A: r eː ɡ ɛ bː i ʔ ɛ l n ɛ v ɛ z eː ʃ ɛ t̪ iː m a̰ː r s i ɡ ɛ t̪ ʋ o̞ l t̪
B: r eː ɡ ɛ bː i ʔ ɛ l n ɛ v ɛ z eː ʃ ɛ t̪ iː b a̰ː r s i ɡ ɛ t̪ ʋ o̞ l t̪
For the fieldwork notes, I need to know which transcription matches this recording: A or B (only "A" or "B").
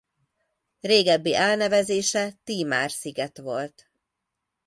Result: A